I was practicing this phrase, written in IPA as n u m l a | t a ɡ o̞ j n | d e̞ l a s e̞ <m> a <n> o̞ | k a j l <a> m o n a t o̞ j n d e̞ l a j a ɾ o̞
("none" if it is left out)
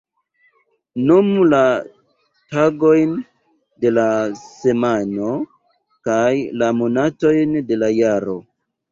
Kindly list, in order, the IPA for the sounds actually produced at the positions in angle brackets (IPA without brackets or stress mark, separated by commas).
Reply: m, n, a